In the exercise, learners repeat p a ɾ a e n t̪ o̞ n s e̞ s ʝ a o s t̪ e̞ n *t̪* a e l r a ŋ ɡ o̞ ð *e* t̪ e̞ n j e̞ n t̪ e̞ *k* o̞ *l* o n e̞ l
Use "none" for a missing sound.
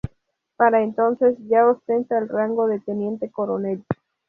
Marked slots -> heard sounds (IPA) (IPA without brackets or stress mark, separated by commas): t̪, e, k, ɾ